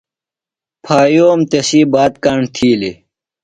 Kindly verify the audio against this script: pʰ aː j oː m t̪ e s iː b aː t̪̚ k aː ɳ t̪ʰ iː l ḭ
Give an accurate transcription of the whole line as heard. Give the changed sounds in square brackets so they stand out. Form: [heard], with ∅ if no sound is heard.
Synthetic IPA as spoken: pʰ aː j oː m t̪ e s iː b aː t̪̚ k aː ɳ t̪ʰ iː l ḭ